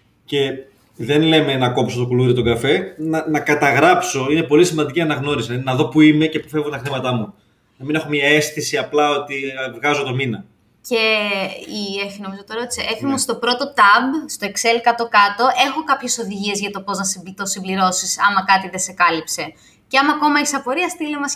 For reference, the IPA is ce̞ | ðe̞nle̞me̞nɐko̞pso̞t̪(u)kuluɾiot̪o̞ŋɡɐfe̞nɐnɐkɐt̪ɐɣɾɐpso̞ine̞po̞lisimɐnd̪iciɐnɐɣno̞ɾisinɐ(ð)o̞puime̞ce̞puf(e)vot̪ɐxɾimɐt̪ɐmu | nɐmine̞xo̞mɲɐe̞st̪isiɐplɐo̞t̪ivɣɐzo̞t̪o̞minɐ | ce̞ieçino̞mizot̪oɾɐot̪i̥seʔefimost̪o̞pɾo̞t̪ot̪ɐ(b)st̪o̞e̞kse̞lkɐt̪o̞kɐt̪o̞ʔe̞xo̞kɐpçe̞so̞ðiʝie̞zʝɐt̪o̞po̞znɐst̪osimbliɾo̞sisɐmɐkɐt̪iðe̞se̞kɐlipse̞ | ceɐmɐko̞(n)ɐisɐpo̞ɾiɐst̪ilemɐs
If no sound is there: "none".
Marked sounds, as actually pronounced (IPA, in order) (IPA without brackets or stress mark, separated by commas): o, ð, e, b, m